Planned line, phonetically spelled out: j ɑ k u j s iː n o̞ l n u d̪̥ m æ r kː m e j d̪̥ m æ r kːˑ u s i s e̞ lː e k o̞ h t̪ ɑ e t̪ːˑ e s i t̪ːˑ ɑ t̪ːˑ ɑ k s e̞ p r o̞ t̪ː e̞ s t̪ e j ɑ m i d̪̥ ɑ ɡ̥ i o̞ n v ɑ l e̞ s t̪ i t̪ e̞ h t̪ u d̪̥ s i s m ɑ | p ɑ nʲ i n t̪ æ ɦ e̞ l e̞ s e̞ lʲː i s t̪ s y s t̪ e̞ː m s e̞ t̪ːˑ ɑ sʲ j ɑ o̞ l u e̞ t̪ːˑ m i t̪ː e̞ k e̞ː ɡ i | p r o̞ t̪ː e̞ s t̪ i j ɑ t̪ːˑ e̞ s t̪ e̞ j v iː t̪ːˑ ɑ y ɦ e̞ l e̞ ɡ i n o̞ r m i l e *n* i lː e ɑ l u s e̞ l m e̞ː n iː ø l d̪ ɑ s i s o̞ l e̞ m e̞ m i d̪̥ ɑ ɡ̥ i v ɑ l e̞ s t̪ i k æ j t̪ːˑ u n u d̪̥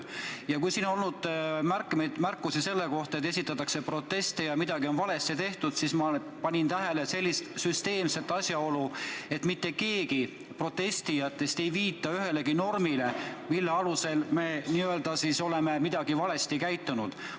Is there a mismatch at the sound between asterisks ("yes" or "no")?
yes